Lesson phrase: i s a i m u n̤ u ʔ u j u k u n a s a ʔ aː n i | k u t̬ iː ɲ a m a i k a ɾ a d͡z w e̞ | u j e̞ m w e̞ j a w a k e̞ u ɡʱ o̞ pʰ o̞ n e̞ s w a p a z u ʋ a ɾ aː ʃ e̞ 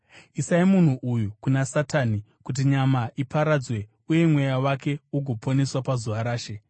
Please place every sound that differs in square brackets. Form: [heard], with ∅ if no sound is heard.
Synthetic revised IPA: i s a i m u n̤ u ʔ u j u k u n a s a [t] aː n i | k u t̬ [i] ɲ a m a i [p] a ɾ a d͡z w e̞ | u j e̞ m w e̞ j a w a k e̞ u ɡʱ o̞ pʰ o̞ n e̞ s w a p a z u ʋ a ɾ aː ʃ e̞